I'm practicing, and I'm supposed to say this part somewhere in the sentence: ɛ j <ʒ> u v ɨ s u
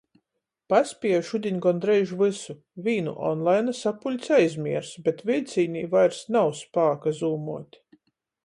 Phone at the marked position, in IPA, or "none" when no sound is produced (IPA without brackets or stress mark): ʒ